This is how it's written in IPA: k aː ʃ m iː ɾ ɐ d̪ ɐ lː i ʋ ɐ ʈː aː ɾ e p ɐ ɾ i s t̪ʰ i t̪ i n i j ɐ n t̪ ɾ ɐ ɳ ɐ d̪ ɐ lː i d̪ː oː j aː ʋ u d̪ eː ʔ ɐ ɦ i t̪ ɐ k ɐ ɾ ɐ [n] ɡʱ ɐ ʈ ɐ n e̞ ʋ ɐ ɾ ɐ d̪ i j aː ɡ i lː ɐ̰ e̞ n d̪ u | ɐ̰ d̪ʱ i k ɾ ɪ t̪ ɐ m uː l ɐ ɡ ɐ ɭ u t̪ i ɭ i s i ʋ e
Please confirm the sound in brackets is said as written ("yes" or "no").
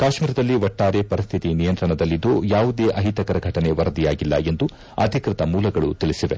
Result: no